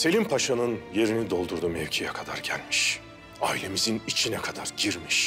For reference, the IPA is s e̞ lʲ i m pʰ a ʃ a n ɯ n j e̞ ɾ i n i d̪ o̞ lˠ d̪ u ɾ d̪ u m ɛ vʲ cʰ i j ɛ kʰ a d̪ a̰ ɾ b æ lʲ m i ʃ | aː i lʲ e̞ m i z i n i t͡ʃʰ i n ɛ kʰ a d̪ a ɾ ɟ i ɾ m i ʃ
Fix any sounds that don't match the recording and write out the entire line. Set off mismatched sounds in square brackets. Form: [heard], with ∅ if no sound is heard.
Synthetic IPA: s e̞ lʲ i m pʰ a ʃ a n ɯ n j e̞ ɾ i n i d̪ o̞ lˠ d̪ u ɾ d̪ u m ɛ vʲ cʰ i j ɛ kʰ a d̪ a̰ ɾ [ɟ] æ lʲ m i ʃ | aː i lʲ e̞ m i z i n i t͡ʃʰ i n ɛ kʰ a d̪ a ɾ ɟ i ɾ m i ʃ